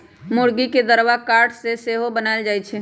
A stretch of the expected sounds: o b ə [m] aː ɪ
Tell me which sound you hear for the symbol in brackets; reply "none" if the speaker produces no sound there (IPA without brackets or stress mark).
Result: n